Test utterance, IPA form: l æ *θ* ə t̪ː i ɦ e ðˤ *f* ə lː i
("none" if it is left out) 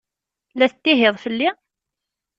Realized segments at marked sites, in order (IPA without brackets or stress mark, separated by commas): θ, f